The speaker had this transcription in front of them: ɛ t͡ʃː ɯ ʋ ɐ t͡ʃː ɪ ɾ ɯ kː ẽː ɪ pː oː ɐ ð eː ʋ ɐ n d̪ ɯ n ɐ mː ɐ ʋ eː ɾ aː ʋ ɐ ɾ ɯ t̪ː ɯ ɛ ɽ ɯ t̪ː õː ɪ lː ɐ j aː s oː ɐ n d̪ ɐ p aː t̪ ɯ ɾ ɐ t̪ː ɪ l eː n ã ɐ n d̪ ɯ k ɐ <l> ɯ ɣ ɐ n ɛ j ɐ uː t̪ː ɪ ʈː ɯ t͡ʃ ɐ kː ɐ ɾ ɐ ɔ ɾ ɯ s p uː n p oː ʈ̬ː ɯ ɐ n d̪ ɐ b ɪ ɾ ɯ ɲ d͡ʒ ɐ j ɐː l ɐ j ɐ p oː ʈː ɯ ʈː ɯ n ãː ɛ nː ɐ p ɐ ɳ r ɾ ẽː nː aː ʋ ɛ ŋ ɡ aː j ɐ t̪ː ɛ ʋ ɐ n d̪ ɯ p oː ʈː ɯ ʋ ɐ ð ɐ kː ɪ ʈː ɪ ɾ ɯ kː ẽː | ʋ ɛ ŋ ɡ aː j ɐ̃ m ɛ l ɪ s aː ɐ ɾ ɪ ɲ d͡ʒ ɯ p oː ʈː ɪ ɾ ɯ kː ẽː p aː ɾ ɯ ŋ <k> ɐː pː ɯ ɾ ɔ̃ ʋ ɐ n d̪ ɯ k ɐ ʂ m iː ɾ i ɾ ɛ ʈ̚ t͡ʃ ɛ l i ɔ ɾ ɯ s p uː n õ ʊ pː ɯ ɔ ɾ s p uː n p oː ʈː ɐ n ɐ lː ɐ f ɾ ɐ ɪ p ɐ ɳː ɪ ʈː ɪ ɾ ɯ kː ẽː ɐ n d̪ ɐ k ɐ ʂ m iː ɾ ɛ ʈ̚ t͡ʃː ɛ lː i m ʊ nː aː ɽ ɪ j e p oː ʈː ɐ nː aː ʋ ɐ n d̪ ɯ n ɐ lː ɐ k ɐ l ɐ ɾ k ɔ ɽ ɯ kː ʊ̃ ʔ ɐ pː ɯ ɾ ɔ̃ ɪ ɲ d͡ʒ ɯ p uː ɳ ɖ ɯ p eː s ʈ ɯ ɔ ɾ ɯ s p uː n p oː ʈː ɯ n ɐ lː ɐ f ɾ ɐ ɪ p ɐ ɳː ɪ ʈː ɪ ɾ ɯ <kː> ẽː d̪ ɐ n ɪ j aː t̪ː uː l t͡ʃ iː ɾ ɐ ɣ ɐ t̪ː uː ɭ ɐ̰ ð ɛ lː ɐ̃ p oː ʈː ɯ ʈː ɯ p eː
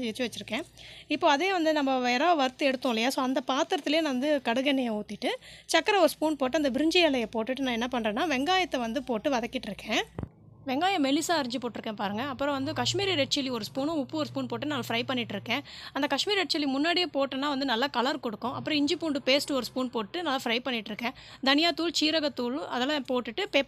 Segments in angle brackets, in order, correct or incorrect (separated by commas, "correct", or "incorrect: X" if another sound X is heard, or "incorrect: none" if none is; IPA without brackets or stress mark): incorrect: ɽ, incorrect: ɡ, correct